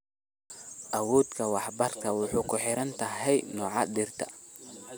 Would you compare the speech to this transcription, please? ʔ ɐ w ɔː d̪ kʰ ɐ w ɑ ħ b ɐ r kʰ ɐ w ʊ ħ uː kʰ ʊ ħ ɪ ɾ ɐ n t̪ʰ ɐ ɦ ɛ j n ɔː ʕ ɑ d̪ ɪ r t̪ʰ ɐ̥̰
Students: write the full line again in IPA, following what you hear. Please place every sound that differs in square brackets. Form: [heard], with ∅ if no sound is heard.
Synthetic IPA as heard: ʔ ɐ w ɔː d̪ kʰ ɐ w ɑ ħ b ɐ r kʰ ɐ w ʊ ħ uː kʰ ʊ ħ ɪ ɾ ɐ n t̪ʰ ɐ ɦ ɛ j n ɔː ʕ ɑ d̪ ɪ r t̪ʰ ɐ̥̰